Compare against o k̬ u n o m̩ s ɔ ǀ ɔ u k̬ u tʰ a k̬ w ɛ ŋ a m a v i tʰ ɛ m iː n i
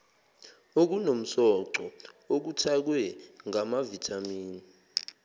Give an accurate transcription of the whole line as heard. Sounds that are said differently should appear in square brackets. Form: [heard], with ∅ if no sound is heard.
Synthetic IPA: o k̬ u n o m̩ s ɔ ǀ ɔ [o] k̬ u tʰ a k̬ w ɛ ŋ a m a v i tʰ [a] m iː n i